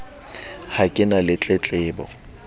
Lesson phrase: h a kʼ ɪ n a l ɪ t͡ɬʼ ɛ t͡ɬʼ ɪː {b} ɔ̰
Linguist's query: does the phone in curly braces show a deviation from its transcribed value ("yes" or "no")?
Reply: no